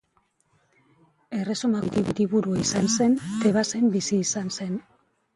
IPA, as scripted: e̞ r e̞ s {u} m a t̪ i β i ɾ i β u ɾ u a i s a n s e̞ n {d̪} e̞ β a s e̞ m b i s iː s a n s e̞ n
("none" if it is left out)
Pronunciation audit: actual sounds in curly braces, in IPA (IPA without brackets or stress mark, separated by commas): o, t̪